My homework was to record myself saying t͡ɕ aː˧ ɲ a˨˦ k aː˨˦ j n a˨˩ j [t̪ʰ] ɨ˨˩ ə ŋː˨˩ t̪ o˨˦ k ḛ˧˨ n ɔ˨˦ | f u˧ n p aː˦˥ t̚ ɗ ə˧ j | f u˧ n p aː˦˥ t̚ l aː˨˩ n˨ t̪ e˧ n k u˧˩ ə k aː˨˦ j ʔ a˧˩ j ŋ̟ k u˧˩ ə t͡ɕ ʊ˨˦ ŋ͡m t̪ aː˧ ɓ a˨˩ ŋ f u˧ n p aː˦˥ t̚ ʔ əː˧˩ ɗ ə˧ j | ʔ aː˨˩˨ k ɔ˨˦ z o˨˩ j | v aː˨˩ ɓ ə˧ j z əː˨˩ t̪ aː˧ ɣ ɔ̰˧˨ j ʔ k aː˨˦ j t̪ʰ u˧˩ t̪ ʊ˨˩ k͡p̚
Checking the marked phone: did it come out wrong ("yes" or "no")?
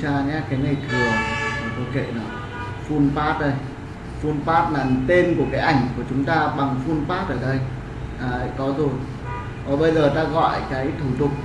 no